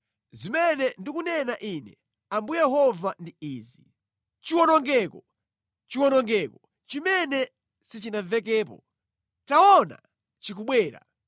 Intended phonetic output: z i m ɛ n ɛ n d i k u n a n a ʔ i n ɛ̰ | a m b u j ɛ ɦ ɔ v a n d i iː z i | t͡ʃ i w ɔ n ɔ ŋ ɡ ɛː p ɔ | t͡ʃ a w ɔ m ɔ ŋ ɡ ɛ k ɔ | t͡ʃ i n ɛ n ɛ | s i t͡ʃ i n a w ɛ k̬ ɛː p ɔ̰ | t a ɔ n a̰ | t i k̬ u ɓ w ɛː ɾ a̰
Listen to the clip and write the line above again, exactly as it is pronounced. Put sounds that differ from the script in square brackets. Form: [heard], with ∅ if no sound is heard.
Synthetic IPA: z i m ɛ n ɛ n d i k u n [ɛ] n a ʔ i n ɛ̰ | a m b u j ɛ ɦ ɔ v a n d i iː z i | t͡ʃ i w ɔ n ɔ ŋ ɡ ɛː [k] ɔ | t͡ʃ [i] w ɔ [n] ɔ ŋ ɡ ɛ k ɔ | t͡ʃ i [m] ɛ n ɛ | s i t͡ʃ i n a [v] ɛ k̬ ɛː p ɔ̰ | t a ɔ n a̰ | [t͡ʃ] i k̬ u ɓ w ɛː ɾ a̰